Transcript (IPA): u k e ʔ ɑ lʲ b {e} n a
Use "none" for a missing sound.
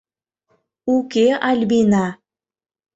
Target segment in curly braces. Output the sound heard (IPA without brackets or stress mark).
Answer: i